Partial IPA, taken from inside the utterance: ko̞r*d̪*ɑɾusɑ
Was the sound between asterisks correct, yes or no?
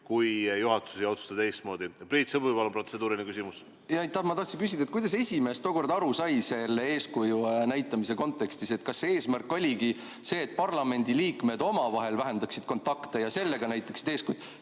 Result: yes